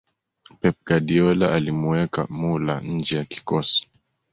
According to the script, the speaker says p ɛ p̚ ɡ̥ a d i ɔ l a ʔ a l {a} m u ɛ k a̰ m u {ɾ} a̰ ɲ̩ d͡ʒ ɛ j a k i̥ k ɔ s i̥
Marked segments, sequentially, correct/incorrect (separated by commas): incorrect, incorrect